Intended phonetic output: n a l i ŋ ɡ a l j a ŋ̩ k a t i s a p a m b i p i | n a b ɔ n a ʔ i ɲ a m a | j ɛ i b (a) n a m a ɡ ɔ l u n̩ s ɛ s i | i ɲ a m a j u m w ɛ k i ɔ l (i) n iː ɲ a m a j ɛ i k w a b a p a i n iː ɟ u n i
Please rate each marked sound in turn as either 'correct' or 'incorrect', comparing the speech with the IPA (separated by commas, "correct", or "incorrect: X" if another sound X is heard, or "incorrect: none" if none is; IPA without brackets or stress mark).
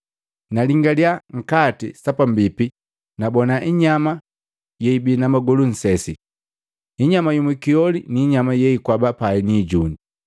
incorrect: i, correct